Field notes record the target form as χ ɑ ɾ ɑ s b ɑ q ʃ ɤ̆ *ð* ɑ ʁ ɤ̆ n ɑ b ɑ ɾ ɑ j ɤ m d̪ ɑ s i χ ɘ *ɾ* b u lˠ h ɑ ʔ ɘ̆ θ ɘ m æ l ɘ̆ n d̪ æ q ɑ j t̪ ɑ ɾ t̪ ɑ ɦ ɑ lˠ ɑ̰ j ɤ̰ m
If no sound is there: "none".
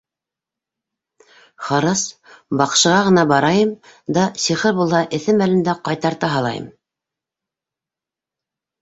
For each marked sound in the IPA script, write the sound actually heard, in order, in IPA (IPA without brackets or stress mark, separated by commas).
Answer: ʁ, ɾ